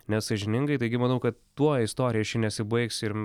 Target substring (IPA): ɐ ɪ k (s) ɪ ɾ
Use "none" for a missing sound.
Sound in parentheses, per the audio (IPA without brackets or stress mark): s